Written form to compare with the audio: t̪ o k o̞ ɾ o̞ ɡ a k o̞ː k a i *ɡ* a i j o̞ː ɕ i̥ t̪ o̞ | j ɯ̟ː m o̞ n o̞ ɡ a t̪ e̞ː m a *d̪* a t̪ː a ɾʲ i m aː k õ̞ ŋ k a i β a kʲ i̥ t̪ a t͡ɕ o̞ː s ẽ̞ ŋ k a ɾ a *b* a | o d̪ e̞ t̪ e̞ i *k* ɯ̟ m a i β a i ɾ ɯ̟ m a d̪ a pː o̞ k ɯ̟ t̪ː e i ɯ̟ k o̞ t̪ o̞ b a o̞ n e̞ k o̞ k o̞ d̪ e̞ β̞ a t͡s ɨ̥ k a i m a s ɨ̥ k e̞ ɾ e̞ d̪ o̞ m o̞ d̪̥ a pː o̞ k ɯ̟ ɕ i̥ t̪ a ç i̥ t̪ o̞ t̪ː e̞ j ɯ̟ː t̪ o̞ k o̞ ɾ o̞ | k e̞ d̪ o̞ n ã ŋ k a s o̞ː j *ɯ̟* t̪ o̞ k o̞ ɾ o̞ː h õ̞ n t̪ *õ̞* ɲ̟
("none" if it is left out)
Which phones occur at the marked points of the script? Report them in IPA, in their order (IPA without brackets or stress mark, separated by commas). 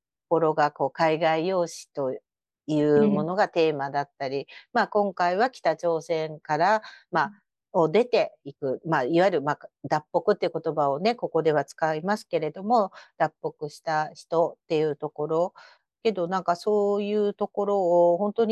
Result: ɡ, d̪, m, k, ɯ̟ː, o̞